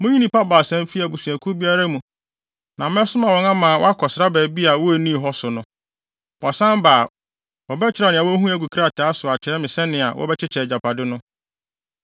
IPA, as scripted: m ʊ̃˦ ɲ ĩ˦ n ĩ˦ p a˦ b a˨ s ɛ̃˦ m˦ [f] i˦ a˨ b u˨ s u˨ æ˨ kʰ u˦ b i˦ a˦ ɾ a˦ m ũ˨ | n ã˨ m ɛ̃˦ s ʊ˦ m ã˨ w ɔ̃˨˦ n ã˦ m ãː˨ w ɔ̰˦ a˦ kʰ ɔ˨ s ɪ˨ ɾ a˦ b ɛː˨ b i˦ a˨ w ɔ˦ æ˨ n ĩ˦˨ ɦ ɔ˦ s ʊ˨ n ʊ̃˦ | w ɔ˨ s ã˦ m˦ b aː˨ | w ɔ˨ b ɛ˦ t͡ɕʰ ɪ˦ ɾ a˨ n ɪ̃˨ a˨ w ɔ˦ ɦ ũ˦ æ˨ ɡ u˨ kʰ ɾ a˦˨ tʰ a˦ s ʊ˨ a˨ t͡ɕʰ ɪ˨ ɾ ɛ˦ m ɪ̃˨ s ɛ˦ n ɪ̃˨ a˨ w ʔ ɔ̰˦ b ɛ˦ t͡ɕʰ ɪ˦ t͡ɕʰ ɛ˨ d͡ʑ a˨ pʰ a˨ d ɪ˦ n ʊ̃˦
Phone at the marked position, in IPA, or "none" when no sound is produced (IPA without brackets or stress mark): f